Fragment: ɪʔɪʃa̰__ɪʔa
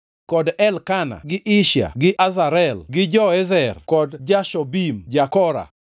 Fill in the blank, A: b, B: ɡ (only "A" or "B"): B